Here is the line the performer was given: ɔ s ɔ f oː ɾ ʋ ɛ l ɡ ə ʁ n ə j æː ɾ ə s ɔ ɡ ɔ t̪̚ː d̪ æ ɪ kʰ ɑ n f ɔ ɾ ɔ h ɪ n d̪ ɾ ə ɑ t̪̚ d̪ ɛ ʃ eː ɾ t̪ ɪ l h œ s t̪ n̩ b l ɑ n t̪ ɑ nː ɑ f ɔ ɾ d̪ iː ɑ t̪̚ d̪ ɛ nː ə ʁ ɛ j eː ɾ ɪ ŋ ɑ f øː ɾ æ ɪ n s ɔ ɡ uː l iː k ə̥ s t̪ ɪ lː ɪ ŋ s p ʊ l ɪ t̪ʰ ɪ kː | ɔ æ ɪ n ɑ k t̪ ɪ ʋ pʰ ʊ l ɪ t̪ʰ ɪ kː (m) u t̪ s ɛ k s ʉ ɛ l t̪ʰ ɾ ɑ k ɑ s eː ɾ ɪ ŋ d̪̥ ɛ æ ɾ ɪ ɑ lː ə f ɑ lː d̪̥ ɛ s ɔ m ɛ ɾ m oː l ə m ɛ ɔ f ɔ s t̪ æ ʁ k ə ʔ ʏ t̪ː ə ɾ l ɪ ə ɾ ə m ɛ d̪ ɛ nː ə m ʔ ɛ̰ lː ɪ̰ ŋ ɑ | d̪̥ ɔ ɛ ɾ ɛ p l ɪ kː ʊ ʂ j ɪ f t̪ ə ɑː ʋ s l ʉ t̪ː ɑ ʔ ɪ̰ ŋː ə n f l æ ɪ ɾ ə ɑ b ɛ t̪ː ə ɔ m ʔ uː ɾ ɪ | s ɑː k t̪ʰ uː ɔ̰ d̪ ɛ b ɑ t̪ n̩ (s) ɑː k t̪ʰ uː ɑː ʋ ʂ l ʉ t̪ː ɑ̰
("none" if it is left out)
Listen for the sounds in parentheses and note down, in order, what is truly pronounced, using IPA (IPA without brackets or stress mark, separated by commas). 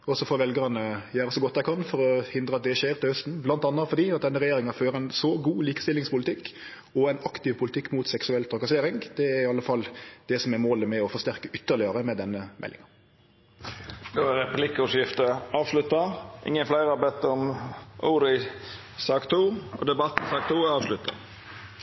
m, s